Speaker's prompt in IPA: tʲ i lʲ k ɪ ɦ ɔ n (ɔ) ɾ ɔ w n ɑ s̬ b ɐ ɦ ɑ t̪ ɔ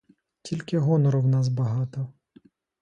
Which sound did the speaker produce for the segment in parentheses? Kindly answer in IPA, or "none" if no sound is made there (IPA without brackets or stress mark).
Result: ɔ